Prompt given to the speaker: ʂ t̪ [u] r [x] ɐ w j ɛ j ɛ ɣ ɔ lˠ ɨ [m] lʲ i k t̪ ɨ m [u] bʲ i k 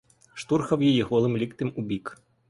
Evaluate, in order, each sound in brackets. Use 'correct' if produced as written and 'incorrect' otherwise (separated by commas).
correct, correct, correct, correct